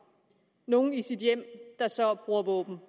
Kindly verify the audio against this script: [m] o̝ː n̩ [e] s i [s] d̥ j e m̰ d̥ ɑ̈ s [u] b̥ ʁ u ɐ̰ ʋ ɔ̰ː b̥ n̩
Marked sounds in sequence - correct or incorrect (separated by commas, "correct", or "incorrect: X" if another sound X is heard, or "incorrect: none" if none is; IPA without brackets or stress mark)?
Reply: incorrect: n, incorrect: i, incorrect: none, incorrect: ɒ